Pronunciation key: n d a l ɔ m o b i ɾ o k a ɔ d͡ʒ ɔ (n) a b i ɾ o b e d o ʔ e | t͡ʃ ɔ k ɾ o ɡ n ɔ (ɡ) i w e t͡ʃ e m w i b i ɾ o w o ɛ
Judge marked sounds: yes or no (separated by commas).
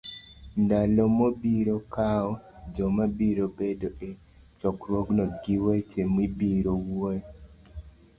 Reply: no, yes